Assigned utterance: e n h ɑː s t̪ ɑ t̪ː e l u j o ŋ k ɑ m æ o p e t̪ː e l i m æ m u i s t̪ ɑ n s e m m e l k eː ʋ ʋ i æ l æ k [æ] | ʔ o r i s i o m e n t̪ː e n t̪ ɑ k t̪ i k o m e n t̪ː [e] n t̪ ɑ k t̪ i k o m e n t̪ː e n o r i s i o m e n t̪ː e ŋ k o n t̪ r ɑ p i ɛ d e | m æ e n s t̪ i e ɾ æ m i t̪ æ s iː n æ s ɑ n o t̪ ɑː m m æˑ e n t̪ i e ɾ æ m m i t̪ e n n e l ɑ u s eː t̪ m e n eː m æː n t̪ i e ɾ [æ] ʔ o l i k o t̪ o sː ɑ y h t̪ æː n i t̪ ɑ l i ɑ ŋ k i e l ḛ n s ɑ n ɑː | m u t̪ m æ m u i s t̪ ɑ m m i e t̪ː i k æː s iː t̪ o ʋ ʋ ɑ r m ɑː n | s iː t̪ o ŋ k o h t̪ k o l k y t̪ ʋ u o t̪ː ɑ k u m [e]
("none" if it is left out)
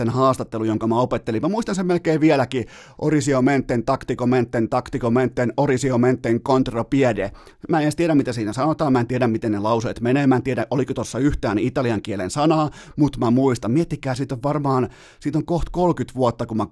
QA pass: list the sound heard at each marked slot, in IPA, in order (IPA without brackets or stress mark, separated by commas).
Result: i, e, æ, æ